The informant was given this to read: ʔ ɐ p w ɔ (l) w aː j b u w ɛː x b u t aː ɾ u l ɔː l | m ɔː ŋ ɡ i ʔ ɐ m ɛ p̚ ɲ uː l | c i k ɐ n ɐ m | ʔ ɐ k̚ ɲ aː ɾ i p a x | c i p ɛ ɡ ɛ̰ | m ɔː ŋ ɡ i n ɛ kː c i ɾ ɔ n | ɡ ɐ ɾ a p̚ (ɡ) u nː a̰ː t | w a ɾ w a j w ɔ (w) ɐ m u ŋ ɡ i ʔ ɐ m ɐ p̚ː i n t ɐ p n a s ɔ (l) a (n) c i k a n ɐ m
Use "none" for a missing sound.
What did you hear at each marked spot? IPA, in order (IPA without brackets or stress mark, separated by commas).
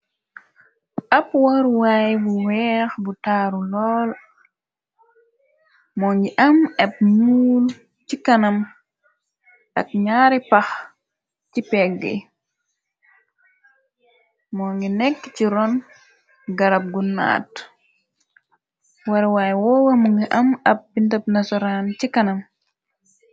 ɾ, ɡ, w, ɾ, n